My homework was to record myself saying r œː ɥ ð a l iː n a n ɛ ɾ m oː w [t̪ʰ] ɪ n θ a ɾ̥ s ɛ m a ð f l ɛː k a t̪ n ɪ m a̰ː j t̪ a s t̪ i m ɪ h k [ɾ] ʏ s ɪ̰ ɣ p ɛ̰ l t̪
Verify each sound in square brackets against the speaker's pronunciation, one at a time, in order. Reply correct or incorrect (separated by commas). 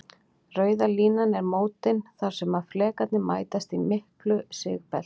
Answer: incorrect, incorrect